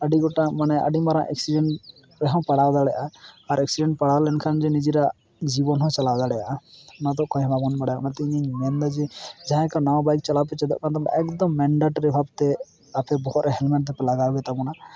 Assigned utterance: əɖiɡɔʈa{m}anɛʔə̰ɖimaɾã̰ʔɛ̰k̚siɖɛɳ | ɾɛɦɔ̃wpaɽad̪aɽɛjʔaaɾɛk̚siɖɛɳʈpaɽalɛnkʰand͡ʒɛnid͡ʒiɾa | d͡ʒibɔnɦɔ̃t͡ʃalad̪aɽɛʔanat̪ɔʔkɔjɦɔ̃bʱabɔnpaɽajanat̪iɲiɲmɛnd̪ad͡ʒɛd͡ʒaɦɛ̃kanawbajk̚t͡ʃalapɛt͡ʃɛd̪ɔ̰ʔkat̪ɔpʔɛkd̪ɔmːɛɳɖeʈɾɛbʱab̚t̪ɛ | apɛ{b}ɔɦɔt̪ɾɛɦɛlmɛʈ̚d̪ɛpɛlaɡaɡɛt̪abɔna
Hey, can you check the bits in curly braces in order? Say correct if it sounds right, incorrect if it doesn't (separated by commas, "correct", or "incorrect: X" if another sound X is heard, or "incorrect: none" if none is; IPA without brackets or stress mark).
correct, correct